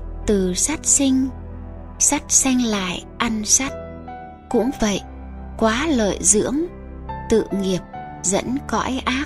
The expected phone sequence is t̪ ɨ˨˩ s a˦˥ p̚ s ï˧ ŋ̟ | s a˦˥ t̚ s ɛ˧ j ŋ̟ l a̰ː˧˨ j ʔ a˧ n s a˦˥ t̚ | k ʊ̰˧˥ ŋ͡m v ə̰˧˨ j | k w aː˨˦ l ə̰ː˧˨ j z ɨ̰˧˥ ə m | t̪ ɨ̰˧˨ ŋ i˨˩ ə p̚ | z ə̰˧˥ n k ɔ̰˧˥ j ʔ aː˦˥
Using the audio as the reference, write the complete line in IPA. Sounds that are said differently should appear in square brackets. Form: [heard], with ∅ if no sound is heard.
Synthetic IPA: t̪ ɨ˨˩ s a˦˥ [t̚] s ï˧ ŋ̟ | s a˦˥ t̚ s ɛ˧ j ŋ̟ l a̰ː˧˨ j ʔ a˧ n s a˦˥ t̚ | k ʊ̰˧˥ ŋ͡m v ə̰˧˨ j | k w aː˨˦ l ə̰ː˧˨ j z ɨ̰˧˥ ə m | t̪ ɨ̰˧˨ ŋ i˨˩ ə p̚ | z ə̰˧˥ n k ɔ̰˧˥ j ʔ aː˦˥